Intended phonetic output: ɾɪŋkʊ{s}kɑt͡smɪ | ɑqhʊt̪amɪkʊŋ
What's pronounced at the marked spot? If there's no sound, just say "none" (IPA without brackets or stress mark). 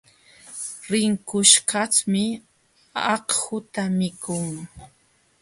ʃ